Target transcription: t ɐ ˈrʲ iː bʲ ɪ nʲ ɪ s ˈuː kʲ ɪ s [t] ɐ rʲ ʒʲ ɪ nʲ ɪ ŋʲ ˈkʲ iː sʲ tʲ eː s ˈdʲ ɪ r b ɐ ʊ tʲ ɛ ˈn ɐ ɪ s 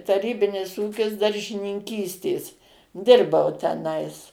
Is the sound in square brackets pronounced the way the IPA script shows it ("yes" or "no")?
no